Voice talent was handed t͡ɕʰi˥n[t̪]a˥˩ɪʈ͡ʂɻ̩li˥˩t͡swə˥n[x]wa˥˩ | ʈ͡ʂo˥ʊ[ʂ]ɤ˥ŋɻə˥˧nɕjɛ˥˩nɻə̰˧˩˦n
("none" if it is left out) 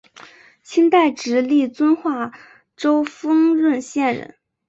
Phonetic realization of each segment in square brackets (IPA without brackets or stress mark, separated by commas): t̪, x, f